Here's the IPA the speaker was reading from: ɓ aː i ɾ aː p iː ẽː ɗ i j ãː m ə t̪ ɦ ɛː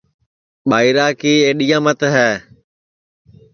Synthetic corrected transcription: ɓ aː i ɾ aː k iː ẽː ɗ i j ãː m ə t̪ ɦ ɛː